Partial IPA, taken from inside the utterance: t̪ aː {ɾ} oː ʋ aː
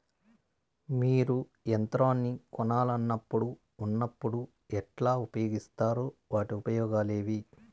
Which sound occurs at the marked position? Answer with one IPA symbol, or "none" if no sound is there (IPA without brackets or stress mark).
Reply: ɾ